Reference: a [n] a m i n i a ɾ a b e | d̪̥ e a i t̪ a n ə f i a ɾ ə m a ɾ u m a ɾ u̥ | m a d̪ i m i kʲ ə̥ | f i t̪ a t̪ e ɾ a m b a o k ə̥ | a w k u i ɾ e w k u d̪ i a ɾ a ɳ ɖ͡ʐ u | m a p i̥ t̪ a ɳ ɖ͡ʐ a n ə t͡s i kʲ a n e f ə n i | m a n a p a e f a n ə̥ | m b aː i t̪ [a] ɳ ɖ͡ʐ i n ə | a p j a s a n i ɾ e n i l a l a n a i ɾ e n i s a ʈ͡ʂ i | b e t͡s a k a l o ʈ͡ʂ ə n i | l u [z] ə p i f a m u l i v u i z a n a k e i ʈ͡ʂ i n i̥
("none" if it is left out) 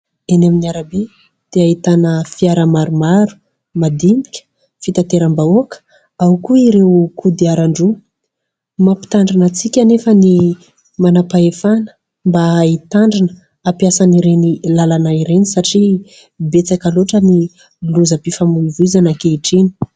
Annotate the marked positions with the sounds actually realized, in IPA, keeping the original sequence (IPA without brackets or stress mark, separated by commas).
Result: n, a, z